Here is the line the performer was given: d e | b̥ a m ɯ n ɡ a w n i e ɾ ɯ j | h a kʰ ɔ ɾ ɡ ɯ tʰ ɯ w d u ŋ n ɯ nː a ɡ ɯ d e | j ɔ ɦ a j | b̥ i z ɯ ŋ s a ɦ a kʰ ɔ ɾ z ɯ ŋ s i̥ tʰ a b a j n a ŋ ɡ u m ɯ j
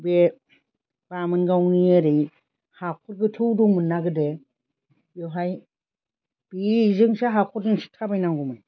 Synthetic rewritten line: b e | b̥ a m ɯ n ɡ a w n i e ɾ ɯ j | h a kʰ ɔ ɾ ɡ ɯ tʰ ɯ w d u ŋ m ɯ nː a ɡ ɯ d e | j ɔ ɦ a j | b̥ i z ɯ ŋ s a ɦ a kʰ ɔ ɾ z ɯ ŋ s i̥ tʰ a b a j n a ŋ ɡ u m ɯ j